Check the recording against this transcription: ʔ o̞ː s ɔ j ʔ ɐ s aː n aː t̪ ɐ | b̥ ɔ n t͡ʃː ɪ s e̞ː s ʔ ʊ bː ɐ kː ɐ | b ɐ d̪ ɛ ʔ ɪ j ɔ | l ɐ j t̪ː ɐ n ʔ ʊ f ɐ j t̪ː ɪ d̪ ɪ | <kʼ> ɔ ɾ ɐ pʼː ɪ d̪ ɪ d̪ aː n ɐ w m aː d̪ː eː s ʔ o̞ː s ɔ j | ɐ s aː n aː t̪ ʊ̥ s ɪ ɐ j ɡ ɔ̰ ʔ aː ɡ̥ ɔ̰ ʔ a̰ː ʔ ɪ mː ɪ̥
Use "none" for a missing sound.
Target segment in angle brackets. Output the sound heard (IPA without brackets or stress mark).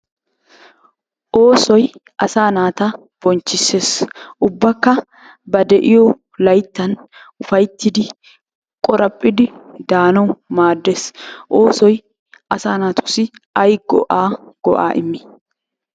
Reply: kʼ